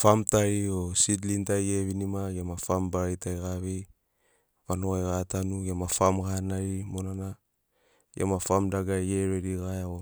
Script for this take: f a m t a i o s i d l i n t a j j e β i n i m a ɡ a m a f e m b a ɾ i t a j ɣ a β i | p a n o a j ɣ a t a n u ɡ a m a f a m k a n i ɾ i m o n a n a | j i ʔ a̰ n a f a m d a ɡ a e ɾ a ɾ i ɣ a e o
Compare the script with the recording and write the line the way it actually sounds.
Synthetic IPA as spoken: f a m t a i o s i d l i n t a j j e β i n i m a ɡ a m a f a m b a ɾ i t a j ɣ a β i | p a n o a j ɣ a t a n u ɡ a m a f a m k a n a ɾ i m o n a n a | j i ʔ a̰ m a f a m d a ɡ a e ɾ e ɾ i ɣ a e o